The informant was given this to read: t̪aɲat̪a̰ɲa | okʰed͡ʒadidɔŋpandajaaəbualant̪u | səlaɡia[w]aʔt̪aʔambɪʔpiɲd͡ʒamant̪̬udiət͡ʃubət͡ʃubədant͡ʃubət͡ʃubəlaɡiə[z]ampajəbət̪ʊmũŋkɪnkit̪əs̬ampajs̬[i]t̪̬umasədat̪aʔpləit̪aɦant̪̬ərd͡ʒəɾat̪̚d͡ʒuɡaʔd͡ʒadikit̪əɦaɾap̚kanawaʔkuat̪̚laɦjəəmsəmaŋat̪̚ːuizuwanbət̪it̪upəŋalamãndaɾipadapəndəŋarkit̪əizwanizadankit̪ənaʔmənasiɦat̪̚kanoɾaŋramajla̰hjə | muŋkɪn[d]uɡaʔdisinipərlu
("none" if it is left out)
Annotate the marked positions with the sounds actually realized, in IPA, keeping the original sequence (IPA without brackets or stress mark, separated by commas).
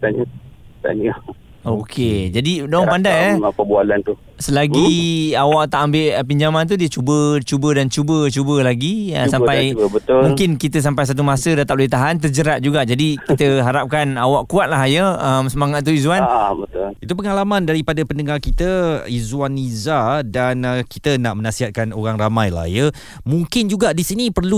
w, s, a, d͡ʒ